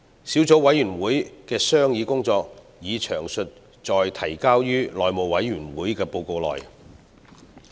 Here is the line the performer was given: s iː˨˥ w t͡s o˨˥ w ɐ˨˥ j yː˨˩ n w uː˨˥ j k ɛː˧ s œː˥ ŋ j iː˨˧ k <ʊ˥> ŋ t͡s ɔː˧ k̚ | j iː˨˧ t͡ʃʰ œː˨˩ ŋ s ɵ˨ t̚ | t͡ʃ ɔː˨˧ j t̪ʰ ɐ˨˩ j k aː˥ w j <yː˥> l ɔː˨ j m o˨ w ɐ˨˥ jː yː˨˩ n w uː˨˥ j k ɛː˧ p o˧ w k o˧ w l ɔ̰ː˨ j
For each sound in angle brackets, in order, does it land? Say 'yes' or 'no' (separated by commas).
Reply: yes, yes